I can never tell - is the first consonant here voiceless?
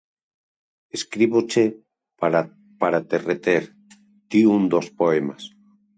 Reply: yes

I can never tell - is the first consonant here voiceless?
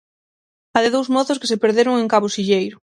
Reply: no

